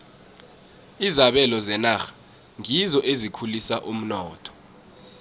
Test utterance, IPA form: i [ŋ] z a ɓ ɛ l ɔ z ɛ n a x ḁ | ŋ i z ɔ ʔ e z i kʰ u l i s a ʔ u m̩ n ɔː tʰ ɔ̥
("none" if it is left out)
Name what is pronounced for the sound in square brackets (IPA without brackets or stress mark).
none